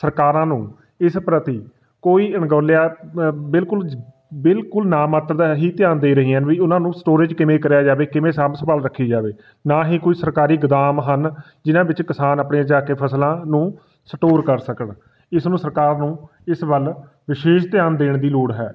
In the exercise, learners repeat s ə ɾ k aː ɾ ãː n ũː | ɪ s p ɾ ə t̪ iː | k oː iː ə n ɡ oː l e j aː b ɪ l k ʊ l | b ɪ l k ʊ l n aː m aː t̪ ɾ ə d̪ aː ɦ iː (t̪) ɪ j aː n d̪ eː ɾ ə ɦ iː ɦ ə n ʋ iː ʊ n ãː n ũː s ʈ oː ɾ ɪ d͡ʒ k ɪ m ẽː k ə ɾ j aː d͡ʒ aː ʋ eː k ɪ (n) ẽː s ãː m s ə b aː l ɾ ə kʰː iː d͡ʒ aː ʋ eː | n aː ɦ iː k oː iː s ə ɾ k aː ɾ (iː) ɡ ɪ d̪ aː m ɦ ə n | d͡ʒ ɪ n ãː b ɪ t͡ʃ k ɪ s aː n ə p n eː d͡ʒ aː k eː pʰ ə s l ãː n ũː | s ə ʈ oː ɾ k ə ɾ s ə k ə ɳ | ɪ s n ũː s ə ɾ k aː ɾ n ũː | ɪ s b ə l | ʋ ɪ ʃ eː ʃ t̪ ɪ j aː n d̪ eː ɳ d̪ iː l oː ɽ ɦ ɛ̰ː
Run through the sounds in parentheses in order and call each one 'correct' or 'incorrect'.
correct, incorrect: m, correct

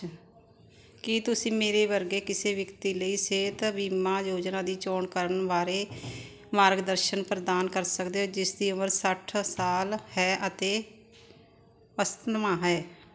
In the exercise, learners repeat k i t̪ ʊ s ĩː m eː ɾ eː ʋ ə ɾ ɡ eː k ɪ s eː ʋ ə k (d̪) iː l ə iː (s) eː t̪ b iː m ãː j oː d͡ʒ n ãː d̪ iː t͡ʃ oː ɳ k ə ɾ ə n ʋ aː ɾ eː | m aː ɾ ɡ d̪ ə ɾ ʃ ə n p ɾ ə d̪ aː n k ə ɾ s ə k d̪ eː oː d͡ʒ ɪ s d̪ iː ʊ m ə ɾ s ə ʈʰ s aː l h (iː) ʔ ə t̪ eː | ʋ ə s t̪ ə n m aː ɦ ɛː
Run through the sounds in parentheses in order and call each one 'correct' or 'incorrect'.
incorrect: t̪, correct, incorrect: ɛː

